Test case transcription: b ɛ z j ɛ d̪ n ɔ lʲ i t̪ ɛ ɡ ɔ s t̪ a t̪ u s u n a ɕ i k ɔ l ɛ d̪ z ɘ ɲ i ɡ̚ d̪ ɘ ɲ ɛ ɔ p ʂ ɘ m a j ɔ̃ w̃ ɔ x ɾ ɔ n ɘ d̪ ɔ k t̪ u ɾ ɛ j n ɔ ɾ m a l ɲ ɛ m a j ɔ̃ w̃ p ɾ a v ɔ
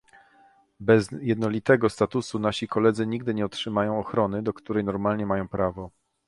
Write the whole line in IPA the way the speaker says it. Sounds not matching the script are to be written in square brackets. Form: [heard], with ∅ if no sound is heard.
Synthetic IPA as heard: b ɛ z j ɛ d̪ n ɔ lʲ i t̪ ɛ ɡ ɔ s t̪ a t̪ u s u n a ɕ i k ɔ l ɛ d̪ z ɘ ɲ i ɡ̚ d̪ ɘ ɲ ɛ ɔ [t] ʂ ɘ m a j ɔ̃ w̃ ɔ x ɾ ɔ n ɘ d̪ ɔ k t̪ u ɾ ɛ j n ɔ ɾ m a l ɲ ɛ m a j ɔ̃ w̃ p ɾ a v ɔ